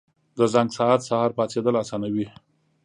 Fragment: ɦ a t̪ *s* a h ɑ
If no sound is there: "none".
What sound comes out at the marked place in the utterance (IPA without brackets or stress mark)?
s